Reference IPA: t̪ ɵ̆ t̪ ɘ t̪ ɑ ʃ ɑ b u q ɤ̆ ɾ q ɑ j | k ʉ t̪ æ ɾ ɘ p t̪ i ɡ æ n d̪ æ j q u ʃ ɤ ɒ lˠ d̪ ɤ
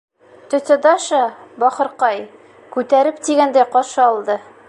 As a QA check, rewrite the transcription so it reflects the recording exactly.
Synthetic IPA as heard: t̪ ɵ̆ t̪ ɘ d̪ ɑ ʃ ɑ b ɒ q ɤ̆ ɾ q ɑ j | k ʉ t̪ æ ɾ ɘ p t̪ i ɡ æ n d̪ æ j q ɒ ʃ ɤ ɒ lˠ d̪ ɤ